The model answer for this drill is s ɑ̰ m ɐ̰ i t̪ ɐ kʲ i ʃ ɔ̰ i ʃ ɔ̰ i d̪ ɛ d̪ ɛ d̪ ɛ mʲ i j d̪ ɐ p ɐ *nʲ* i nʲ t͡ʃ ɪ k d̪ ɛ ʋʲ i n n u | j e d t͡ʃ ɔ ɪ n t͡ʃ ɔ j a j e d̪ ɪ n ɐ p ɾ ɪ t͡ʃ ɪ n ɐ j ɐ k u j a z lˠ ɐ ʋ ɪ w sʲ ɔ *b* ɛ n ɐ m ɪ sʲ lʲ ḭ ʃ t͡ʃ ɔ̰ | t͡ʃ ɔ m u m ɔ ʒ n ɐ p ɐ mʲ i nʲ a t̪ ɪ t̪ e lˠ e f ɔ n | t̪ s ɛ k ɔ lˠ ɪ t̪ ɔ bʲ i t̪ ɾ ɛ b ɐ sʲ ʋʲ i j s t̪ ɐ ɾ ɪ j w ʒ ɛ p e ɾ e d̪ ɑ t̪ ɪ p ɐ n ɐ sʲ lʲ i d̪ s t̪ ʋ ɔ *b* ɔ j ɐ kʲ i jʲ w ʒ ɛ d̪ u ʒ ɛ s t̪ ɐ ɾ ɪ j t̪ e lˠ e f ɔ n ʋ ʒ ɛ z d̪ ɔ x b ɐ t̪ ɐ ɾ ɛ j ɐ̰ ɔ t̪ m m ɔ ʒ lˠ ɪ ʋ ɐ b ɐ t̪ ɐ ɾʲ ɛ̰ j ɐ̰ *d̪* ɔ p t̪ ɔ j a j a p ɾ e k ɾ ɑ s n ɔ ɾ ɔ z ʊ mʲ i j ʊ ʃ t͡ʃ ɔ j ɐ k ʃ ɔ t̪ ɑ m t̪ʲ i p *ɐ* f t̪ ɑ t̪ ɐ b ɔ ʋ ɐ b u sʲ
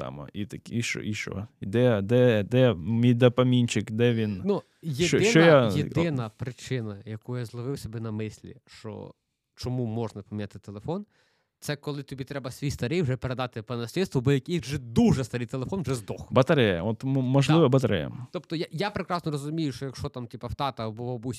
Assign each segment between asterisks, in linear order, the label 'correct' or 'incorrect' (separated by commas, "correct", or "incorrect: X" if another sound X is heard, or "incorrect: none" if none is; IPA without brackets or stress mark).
incorrect: mʲ, correct, correct, incorrect: t̪, correct